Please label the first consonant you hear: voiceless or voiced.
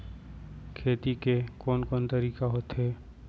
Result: voiceless